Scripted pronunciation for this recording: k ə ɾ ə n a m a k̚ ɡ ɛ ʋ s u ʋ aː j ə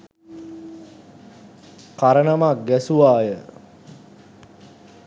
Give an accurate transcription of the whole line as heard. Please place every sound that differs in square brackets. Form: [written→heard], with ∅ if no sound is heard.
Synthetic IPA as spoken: k [ə→a] ɾ ə n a m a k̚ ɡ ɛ [ʋ→∅] s u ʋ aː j ə